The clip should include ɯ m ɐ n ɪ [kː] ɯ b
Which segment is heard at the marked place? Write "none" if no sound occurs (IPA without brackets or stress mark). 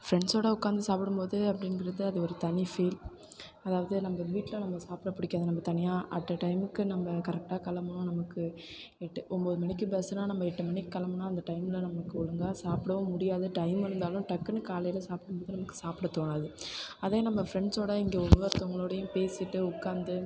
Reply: kː